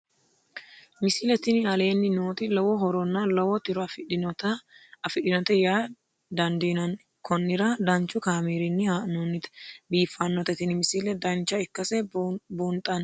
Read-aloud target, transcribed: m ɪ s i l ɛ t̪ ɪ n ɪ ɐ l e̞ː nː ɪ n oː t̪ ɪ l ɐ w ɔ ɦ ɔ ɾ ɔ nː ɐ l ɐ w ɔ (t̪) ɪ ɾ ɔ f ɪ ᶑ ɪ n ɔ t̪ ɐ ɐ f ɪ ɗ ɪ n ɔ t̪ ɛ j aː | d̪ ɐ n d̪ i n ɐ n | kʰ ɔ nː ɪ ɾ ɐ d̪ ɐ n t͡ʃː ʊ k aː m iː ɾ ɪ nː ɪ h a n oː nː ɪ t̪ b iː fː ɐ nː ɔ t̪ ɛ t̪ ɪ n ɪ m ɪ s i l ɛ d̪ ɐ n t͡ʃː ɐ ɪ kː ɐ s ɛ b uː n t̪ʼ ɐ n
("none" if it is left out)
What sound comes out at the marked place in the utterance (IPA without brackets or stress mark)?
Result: t̪